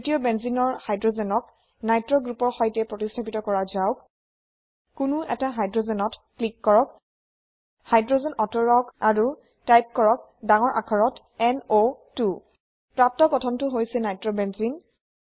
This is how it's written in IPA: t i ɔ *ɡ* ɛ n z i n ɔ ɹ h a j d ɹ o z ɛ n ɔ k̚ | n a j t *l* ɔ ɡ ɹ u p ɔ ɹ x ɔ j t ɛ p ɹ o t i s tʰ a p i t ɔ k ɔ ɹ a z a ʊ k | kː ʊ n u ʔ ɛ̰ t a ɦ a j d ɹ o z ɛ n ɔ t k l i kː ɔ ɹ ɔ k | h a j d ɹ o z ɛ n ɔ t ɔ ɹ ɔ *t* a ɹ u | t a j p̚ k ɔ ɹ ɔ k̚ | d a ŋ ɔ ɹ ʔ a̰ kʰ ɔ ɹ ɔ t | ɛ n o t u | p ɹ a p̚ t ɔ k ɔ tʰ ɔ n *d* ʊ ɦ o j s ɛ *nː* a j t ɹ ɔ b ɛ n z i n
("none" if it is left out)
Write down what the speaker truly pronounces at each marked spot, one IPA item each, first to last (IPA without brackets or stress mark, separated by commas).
b, ɹ, k, t, n